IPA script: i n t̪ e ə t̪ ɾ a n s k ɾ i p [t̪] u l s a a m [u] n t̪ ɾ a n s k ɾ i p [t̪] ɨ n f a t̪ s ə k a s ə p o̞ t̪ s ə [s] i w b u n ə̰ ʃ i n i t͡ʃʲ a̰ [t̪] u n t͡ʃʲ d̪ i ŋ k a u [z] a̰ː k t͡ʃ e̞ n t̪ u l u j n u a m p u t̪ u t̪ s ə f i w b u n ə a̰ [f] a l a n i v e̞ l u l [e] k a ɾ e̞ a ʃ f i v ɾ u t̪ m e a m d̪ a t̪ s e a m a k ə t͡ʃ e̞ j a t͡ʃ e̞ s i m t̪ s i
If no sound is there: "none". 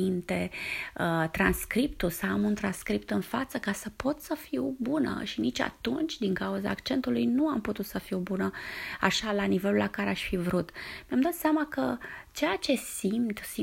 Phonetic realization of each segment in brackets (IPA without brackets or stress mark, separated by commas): t̪, u, t̪, f, t̪, z, ʃ, a